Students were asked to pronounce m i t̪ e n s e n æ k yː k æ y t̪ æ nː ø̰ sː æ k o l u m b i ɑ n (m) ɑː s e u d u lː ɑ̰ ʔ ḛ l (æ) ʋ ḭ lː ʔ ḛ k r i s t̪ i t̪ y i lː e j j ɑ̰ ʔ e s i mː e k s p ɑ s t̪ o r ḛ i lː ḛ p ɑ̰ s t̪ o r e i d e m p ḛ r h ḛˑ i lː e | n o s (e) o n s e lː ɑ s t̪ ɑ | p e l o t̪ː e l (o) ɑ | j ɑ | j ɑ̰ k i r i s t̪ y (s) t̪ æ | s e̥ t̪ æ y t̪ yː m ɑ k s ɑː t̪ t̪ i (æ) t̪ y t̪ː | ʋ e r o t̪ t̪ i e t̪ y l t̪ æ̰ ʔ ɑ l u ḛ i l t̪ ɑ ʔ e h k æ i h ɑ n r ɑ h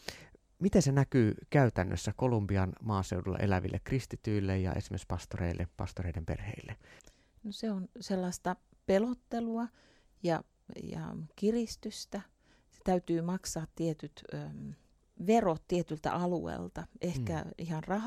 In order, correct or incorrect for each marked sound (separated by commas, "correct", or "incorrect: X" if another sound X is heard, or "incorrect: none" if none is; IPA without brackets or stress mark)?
correct, correct, correct, incorrect: u, correct, incorrect: e